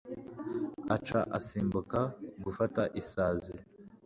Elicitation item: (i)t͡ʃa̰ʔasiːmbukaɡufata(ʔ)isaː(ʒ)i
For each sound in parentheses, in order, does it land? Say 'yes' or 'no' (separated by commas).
no, yes, no